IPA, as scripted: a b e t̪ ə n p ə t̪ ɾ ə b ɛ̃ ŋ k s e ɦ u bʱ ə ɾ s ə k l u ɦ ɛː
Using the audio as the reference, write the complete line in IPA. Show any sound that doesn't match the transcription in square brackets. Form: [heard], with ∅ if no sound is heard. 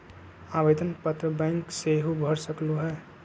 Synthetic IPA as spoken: a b e [d̪] ə n p ə t̪ ɾ ə b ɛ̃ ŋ k s e ɦ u bʱ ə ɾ s ə k l u ɦ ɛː